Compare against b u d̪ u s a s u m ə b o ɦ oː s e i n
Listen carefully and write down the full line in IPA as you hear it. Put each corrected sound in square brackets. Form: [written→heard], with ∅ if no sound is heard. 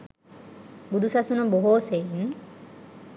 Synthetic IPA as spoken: b u d̪ u s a s u [m→n] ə b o ɦ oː s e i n